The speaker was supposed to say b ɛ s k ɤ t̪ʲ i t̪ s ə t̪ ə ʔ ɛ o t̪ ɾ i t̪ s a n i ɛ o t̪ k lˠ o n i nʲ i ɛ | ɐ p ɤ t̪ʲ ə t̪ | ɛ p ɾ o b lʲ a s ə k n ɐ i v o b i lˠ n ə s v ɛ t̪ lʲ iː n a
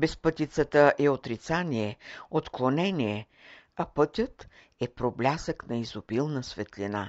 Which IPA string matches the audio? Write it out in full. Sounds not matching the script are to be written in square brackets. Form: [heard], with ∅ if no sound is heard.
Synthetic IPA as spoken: b ɛ s [p] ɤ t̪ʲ i t̪ s ə t̪ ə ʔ ɛ o t̪ ɾ i t̪ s a n i ɛ o t̪ k lˠ o n [ɛ] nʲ i ɛ | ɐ p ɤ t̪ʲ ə t̪ | ɛ p ɾ o b lʲ a s ə k n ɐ i [z] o b i lˠ n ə s v ɛ t̪ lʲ [i] n a